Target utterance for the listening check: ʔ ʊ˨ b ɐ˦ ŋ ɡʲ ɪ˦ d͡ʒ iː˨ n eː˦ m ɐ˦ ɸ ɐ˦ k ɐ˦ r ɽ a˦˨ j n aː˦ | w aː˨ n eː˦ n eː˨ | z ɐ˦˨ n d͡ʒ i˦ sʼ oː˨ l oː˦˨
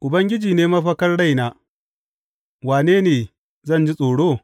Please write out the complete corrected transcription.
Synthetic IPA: ʔ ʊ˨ b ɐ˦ ŋ ɡʲ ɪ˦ d͡ʒ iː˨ n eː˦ m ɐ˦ ɸ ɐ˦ k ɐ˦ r ɽ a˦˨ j n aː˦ | w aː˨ n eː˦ n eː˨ | z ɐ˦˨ n d͡ʒ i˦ sʼ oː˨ ɽ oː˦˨

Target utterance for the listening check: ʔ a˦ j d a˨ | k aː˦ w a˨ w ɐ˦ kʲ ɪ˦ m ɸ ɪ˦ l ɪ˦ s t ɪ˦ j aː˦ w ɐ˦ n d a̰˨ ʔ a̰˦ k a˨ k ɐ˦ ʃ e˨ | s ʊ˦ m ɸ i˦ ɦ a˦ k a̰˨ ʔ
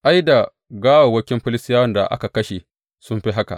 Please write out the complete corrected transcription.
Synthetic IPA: ʔ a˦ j d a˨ | ɡ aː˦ w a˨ w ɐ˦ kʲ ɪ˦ m ɸ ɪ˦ l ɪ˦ s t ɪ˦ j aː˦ w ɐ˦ n d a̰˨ ʔ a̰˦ k a˨ k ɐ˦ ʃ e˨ | s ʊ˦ m ɸ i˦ ɦ a˦ k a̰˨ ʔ

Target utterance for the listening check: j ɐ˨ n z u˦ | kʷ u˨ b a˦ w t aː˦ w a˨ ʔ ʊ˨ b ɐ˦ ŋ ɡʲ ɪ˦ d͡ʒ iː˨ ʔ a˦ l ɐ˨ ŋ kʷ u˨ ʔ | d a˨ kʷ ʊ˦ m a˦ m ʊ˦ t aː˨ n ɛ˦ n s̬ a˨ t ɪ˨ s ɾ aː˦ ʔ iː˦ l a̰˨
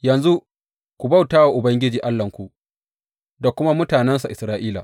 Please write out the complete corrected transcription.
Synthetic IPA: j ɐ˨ n z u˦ | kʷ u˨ b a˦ w t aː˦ w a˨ ʔ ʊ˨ b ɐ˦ ŋ ɡʲ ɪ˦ d͡ʒ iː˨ ʔ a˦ lː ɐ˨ ŋ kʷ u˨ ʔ | d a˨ kʷ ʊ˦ m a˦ m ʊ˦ t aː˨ n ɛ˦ n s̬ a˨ ʔ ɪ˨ s ɾ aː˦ ʔ iː˦ l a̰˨

